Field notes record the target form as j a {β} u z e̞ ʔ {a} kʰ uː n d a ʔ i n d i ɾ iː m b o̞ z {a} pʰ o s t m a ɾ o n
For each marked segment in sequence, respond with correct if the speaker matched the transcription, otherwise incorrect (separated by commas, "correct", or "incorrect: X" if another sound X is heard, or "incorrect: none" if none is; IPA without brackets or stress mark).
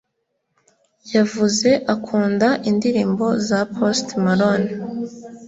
incorrect: v, correct, correct